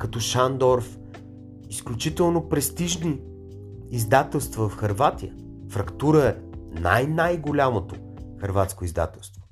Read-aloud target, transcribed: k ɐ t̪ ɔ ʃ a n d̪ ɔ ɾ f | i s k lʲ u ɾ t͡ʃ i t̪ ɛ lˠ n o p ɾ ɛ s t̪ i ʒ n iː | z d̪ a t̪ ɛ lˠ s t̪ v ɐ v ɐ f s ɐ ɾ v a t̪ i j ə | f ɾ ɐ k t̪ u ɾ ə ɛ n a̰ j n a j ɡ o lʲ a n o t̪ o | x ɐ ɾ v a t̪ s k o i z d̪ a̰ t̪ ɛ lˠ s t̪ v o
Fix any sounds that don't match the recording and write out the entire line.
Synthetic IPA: k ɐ t̪ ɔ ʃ a n d̪ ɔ ɾ f | i s k lʲ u t͡ʃ i t̪ ɛ lˠ n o p ɾ ɛ s t̪ i ʒ n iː | z d̪ a t̪ ɛ lˠ s t̪ v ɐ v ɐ f x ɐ ɾ v a t̪ i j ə | f ɾ ɐ k t̪ u ɾ ə ɛ n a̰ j n a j ɡ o lʲ a m o t̪ o | x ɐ ɾ v a t̪ s k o i z d̪ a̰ t̪ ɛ lˠ s t̪ v o